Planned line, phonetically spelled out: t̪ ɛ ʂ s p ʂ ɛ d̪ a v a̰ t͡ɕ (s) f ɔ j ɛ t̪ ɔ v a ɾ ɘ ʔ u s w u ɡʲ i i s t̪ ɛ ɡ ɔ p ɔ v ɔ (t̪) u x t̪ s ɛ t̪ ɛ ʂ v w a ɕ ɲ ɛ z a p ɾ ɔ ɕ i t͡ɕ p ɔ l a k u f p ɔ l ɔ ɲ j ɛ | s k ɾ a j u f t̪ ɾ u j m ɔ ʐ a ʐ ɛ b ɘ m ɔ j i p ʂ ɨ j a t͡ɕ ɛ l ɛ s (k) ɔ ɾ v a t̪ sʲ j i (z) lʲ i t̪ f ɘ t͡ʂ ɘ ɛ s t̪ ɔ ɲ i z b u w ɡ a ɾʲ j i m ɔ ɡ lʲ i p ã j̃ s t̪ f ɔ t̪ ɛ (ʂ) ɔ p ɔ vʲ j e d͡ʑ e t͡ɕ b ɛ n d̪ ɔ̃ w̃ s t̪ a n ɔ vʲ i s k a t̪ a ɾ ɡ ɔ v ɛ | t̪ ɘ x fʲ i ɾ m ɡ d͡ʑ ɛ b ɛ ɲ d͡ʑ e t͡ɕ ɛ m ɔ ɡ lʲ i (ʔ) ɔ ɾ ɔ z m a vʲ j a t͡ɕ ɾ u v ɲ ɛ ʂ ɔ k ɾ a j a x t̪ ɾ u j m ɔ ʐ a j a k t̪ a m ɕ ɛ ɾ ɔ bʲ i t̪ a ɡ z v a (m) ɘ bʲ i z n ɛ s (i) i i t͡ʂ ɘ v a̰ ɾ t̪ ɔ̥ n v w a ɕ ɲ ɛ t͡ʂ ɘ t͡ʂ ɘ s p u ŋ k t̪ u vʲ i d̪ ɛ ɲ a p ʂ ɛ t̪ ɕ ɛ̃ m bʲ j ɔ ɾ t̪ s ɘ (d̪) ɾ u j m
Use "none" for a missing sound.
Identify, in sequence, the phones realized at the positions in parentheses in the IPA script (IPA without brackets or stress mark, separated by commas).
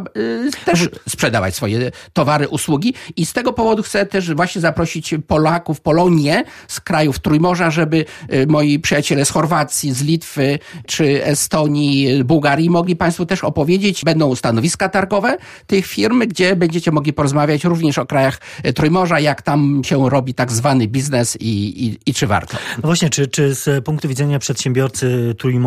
s, d̪, x, z, ʂ, p, n, i, t̪